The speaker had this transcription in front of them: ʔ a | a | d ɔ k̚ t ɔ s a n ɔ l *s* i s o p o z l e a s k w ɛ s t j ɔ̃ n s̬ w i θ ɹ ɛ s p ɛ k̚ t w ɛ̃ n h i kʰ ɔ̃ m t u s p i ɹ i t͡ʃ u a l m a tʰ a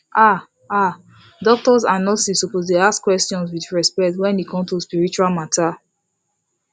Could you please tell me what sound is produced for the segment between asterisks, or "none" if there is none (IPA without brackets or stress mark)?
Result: s